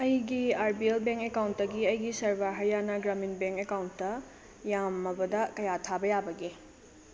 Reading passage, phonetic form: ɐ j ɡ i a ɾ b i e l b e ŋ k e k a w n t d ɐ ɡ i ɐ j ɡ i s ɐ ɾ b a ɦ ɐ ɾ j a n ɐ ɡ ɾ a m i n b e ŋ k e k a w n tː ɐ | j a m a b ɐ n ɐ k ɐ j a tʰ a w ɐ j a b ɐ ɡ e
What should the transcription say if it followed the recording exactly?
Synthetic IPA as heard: ɐ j ɡ i a ɾ b i e l b e ŋ k e k a w n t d ɐ ɡ i ɐ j ɡ i s ɐ ɾ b a ɦ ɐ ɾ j a n ɐ ɡ ɾ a m i n b e ŋ k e k a w n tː ɐ | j a m ɐ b ɐ d ɐ k ɐ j a tʰ a b ɐ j a b ɐ ɡ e